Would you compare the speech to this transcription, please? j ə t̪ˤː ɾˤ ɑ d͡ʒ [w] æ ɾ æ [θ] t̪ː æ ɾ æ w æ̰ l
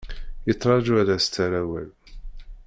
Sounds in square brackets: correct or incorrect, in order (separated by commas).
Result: incorrect, incorrect